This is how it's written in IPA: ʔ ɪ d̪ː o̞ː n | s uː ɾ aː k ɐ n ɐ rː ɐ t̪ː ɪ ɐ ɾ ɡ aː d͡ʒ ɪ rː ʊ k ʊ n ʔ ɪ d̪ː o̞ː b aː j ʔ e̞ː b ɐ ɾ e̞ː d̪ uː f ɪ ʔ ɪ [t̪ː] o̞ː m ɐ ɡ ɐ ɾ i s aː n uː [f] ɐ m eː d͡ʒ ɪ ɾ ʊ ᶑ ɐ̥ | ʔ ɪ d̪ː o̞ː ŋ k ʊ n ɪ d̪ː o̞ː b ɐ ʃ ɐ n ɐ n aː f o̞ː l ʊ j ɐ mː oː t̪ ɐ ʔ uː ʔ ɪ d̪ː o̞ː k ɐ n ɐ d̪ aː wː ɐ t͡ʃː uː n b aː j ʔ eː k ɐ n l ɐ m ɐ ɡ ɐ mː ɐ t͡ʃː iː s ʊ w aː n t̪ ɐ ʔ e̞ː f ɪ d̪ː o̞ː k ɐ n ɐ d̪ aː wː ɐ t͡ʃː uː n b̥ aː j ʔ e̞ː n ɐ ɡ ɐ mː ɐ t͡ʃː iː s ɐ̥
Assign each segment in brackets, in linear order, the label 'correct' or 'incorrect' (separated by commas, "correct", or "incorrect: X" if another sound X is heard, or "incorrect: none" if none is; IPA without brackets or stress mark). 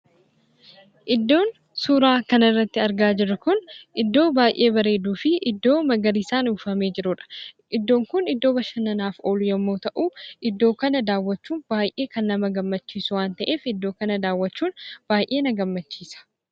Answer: incorrect: d̪ː, correct